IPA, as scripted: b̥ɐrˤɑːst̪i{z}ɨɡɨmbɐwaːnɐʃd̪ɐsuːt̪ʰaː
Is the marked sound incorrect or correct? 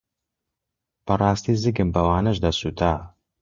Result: correct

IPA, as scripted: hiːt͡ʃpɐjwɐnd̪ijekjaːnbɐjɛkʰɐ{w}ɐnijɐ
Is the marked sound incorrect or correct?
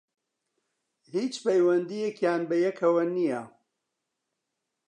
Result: correct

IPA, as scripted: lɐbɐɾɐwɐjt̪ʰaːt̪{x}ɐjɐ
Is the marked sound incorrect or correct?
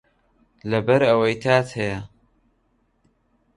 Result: incorrect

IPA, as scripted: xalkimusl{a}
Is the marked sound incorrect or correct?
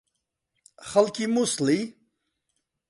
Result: incorrect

